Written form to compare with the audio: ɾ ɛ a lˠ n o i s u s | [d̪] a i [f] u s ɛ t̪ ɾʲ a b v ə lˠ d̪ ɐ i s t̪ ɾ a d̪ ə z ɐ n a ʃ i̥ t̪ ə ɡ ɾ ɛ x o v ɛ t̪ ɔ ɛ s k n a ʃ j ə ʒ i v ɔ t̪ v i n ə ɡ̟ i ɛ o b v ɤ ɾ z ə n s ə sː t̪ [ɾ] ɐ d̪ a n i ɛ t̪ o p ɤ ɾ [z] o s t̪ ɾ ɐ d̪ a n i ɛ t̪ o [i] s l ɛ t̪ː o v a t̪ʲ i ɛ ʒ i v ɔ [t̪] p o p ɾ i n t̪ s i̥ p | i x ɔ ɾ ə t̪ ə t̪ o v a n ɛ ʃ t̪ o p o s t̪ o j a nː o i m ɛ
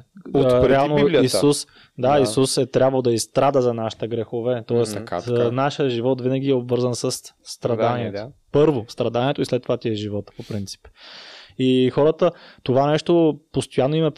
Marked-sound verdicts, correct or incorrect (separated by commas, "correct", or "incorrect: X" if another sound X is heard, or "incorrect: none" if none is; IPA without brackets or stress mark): correct, incorrect: s, correct, incorrect: v, correct, correct